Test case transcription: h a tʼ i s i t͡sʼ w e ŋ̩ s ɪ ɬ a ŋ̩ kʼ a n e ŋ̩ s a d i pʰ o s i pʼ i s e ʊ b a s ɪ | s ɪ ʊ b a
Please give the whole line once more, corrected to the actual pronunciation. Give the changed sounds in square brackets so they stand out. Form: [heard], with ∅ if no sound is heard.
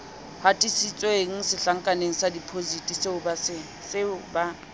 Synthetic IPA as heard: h a tʼ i s i t͡sʼ w e ŋ̩ s ɪ ɬ a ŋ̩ kʼ a n e ŋ̩ s a d i pʰ o [z] i [tʼ] i s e ʊ b a s ɪ | s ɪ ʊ b a

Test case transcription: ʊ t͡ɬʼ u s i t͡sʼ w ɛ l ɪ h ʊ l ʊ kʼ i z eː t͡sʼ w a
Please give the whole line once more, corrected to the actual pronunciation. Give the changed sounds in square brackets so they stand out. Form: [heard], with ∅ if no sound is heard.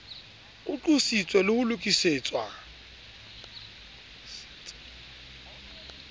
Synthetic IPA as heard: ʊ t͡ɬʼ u s i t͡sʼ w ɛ l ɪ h ʊ l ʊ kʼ i [s] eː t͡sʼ w a

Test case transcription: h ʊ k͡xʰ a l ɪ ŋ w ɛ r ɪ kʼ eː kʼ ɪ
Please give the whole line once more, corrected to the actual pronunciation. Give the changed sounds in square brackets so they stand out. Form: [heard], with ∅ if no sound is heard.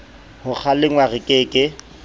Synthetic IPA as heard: h ʊ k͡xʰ a l ɪ ŋ w [a] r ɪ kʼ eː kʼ ɪ

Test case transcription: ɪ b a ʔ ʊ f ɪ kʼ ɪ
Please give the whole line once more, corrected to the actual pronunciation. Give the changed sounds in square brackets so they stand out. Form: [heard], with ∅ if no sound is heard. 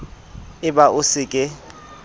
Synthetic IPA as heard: ɪ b a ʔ ʊ [s] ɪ kʼ ɪ

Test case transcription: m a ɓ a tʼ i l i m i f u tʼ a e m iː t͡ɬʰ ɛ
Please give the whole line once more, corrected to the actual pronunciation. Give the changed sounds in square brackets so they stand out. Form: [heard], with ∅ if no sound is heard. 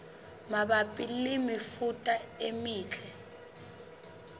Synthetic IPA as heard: m a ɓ a [pʼ] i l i m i f u tʼ a e m iː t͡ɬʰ ɛ

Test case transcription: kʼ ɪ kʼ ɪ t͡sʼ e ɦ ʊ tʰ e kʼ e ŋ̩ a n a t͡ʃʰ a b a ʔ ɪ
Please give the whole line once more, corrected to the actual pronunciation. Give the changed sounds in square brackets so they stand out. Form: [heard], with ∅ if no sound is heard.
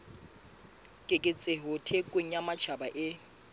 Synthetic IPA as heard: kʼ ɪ kʼ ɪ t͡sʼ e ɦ ʊ tʰ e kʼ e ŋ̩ a [m] a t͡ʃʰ a b a ʔ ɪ

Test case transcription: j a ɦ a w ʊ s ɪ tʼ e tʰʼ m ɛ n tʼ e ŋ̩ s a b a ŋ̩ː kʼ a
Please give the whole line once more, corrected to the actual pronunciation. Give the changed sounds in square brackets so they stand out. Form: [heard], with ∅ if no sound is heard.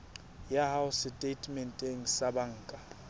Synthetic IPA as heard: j a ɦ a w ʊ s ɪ tʼ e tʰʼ m ɛ n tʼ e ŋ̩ s a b a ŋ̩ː kʼ a

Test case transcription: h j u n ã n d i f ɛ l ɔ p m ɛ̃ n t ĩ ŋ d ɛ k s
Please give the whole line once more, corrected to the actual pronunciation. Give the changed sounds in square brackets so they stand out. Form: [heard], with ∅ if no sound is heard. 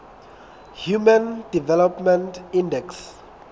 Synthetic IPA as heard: h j u [m] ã n d i [v] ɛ l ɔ p m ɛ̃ n t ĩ [n] d ɛ k s

